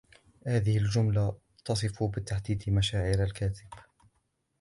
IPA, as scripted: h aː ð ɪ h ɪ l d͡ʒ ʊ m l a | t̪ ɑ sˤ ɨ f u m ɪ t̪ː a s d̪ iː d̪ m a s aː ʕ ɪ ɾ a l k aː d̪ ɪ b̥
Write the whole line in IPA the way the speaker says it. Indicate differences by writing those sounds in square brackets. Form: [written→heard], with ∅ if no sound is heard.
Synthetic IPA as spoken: h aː ð ɪ h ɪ l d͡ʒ ʊ m l a | t̪ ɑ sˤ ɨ f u [m→b] ɪ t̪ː a [s→ħ] d̪ iː d̪ m a [s→ʃ] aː ʕ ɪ ɾ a l k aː [d̪→t̪] ɪ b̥